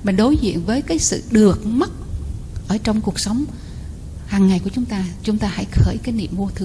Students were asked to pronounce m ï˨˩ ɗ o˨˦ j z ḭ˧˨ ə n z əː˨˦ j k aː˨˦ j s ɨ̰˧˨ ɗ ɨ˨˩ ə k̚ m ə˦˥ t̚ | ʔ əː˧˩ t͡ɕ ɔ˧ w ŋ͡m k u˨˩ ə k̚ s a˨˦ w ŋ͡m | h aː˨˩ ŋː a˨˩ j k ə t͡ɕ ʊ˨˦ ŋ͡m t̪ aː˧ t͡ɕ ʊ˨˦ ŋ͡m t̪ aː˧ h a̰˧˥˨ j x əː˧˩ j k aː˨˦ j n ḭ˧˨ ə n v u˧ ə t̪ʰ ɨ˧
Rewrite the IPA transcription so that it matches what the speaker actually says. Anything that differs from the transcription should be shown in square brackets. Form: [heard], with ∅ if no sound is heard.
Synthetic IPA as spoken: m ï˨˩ ɗ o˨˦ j z ḭ˧˨ ə n [v] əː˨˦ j k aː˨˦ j s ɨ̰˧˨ ɗ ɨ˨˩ ə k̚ m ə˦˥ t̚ | ʔ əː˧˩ t͡ɕ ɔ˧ w ŋ͡m k u˨˩ ə k̚ s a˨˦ w ŋ͡m | h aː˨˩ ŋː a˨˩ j k ə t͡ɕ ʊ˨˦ ŋ͡m t̪ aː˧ t͡ɕ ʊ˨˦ ŋ͡m t̪ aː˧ h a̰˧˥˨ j x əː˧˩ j k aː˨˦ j n ḭ˧˨ ə [m] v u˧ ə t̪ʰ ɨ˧